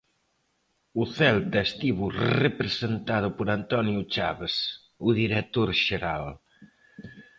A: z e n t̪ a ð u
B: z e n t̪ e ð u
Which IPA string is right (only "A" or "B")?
A